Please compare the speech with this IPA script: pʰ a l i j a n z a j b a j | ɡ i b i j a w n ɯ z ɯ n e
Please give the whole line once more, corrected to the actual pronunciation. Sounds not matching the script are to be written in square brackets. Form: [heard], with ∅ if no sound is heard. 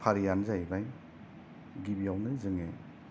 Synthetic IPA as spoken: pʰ a [ɾ] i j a n z a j b a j | ɡ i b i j a w n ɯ z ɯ [ŋ] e